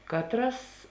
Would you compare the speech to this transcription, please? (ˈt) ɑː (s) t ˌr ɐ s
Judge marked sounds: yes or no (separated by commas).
no, no